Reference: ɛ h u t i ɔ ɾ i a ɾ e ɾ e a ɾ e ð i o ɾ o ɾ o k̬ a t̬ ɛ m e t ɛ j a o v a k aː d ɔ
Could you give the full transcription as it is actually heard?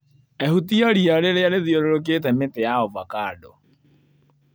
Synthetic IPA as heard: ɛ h u t i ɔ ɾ i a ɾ e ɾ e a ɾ e ð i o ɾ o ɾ o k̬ e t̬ ɛ m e t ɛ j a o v a k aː d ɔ